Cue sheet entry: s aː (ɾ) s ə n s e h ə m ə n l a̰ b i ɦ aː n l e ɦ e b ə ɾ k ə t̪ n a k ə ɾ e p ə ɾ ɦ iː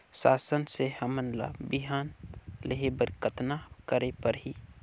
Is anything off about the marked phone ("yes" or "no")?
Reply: yes